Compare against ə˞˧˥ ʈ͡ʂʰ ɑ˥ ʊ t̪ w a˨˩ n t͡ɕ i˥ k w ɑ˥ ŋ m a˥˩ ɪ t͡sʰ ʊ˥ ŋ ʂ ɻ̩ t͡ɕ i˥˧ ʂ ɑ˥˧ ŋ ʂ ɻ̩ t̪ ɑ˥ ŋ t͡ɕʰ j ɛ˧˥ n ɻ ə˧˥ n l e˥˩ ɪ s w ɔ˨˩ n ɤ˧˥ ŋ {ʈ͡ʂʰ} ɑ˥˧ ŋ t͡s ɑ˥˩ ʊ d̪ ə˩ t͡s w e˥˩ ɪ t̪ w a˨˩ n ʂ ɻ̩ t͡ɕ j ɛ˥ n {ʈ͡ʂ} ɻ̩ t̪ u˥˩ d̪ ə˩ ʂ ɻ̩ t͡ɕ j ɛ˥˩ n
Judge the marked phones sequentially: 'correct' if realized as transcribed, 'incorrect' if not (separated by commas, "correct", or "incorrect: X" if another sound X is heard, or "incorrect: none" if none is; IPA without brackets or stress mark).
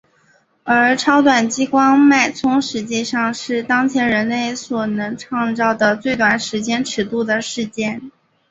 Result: correct, incorrect: ʈ͡ʂʰ